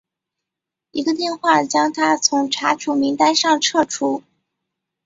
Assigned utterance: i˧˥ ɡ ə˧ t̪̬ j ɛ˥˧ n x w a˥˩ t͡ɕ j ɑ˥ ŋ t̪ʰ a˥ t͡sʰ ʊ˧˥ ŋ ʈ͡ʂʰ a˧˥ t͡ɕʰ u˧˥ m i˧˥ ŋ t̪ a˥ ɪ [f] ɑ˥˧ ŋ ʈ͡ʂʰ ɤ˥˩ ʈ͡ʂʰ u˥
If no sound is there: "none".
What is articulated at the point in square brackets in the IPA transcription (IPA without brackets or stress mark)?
ʂ